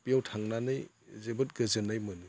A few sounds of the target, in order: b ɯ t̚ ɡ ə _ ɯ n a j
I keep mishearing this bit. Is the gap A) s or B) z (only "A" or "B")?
B